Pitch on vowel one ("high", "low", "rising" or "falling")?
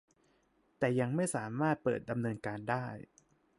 low